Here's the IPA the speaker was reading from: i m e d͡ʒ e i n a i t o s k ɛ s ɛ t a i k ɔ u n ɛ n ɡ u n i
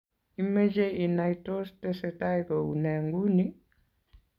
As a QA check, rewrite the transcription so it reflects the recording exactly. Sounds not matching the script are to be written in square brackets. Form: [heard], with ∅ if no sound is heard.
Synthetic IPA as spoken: i m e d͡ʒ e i n a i t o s [t] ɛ s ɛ t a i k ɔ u n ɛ [ŋ] ɡ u n i